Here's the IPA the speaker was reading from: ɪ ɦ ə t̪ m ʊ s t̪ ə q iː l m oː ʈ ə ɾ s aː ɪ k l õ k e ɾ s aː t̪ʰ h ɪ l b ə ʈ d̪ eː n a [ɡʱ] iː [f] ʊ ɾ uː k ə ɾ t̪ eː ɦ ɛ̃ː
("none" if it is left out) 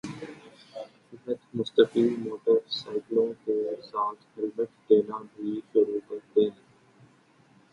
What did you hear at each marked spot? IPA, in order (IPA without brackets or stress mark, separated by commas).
bʱ, ʃ